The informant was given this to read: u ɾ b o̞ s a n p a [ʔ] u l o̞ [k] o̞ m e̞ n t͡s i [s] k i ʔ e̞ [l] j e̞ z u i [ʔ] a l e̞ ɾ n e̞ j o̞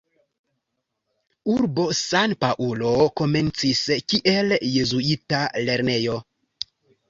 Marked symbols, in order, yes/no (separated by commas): yes, yes, yes, yes, no